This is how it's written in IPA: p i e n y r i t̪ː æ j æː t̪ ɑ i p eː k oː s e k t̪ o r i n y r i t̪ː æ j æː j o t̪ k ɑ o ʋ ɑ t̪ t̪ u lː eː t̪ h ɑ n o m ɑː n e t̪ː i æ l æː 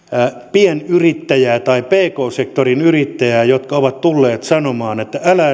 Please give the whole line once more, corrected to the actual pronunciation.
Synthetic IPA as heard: p i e n y r i t̪ː æ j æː t̪ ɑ i p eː k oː s e k t̪ o r i n y r i t̪ː æ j æː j o t̪ k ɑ o ʋ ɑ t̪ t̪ u lː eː t̪ s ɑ n o m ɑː n e t̪ː æ æ l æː

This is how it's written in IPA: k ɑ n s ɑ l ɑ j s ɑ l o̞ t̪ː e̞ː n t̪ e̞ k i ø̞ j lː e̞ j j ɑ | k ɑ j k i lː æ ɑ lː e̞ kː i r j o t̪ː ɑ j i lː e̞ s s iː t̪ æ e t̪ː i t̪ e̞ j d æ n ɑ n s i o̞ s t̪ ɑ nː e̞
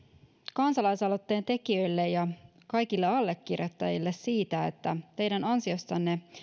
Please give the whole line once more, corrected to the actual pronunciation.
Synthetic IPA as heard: k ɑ n s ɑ l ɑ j s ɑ l o̞ t̪ː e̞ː n t̪ e̞ k i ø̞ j lː e̞ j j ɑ | k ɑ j k i lː e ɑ lː e̞ kː i r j o t̪ː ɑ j i lː e̞ s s iː t̪ æ e t̪ː æ t̪ e̞ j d æ n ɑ n s i o̞ s t̪ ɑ nː e̞

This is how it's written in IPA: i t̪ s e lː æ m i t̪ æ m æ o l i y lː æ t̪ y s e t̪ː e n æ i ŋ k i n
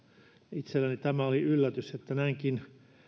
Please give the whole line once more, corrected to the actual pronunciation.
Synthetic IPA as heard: i t̪ s e lː æ n i t̪ æ m æ o l i y lː æ t̪ y s e t̪ː æ n æ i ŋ k i n

